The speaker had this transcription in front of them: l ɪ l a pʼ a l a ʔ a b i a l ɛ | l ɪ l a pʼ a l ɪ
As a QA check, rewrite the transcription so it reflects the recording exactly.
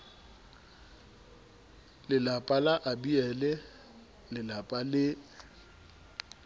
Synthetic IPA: l ɪ l a pʼ a l a ʔ a b i ɛ l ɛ | l ɪ l a pʼ a l ɪ